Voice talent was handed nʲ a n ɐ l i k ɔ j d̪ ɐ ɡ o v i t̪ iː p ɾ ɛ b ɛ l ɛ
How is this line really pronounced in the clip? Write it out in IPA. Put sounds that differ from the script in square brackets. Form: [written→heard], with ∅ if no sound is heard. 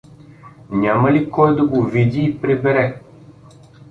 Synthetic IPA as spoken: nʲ a [n→m] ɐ l i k ɔ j d̪ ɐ ɡ o v i [t̪→d̪] iː p ɾ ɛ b ɛ [l→ɾ] ɛ